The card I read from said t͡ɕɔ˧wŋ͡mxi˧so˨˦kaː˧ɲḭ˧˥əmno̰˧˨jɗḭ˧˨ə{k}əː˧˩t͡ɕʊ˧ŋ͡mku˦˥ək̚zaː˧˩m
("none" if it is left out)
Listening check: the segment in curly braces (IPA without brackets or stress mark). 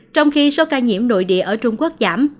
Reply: ʔ